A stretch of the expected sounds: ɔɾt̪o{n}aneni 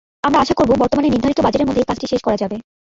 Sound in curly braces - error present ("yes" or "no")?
yes